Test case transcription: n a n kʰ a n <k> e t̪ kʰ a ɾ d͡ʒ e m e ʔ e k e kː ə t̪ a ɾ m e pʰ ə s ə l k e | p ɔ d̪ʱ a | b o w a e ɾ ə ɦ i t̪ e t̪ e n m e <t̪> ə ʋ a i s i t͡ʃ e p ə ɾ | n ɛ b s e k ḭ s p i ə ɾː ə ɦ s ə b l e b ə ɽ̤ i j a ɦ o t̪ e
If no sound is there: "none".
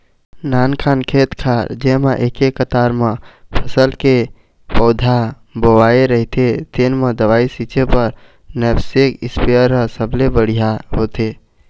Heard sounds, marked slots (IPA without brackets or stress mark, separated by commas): kʰ, d̪